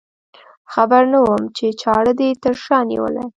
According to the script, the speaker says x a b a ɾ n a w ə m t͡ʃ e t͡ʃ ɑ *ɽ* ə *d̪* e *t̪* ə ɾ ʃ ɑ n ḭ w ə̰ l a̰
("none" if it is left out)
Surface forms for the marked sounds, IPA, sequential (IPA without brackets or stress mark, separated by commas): ɽ, d̪, t̪